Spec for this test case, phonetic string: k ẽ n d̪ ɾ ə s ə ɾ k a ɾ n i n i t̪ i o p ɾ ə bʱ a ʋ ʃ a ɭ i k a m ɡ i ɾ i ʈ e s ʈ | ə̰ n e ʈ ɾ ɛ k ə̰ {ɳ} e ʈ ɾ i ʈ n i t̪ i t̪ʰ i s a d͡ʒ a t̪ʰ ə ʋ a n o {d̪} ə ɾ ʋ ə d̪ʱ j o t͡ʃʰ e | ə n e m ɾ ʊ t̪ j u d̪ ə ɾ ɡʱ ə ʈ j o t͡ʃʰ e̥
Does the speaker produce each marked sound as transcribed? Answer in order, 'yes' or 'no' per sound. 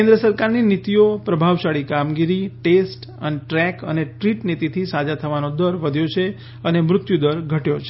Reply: no, yes

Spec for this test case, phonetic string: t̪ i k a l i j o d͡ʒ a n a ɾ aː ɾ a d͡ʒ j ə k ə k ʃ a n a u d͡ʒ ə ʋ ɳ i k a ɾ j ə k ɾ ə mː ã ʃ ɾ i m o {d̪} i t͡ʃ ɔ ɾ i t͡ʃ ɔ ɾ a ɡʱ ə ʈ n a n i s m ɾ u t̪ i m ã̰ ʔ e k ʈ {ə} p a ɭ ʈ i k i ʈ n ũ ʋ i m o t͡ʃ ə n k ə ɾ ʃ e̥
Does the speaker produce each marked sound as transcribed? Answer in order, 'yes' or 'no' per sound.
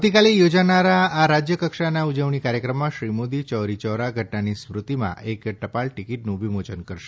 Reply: yes, yes

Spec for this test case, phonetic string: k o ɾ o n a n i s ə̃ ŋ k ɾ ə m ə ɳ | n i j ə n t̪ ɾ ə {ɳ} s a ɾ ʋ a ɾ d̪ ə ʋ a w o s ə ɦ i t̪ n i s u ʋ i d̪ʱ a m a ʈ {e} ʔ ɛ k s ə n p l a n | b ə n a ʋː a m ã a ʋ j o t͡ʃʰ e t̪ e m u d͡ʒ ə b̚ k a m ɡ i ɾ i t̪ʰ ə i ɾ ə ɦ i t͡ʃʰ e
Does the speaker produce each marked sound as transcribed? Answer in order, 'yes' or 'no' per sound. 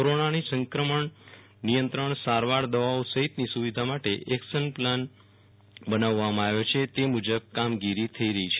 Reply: yes, yes

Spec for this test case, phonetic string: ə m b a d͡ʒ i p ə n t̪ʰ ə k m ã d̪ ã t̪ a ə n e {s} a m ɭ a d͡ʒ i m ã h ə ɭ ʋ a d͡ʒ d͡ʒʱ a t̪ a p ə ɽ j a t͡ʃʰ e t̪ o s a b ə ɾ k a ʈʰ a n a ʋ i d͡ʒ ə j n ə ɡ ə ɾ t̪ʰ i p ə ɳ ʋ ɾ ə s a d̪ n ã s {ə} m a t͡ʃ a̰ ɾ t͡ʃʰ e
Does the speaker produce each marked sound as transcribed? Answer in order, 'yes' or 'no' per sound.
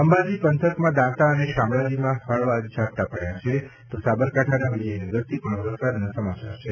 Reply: no, yes

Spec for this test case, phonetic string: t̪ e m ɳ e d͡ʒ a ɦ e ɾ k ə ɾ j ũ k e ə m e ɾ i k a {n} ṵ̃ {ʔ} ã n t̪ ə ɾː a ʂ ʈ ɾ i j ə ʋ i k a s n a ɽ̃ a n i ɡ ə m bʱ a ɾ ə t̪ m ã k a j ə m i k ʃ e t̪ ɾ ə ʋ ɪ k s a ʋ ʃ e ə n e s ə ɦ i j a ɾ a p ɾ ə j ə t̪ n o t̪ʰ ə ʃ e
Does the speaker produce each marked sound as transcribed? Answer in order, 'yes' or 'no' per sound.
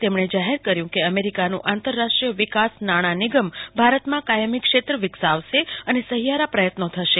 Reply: yes, yes

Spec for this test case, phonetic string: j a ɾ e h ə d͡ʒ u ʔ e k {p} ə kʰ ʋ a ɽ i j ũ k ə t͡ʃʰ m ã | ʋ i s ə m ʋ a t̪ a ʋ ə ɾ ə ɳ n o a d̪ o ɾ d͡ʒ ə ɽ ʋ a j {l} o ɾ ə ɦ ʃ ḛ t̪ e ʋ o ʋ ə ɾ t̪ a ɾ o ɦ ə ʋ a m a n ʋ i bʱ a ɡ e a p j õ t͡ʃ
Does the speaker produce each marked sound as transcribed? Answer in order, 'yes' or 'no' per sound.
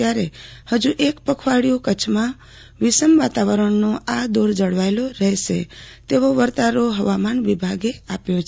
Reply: yes, yes

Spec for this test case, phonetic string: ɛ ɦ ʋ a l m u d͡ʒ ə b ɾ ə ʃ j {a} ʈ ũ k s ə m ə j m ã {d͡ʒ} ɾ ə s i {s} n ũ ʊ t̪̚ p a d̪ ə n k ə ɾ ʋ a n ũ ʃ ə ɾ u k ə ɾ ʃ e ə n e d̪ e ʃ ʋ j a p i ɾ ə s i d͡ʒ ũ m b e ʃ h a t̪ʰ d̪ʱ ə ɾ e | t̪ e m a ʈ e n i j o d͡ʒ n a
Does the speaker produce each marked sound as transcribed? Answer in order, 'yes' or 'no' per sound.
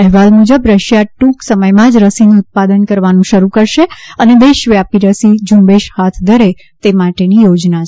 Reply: yes, yes, no

